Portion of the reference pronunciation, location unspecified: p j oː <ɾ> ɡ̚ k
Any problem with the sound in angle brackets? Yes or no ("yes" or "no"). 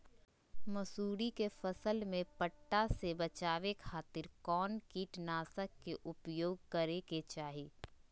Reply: yes